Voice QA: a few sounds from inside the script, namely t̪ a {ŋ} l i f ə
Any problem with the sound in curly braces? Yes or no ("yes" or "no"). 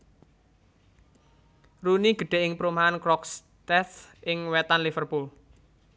yes